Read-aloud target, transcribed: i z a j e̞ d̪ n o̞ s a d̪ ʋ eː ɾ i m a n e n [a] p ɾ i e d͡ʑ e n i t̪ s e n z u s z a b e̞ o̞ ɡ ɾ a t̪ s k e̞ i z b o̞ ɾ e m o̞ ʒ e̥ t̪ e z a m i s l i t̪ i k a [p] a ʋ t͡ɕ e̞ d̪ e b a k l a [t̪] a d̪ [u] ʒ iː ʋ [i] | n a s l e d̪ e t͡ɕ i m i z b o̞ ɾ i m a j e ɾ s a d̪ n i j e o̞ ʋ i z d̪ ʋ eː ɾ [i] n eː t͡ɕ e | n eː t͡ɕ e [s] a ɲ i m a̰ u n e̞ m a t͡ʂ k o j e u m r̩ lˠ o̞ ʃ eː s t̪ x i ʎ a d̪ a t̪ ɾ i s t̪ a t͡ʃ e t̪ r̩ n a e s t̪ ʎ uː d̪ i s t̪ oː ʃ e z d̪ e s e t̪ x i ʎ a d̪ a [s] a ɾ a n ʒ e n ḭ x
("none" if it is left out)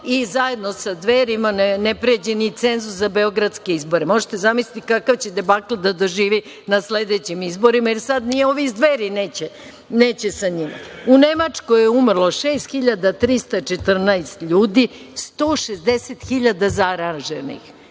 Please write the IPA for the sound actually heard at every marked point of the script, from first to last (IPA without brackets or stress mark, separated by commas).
e, k, d̪, o, i, i, s, z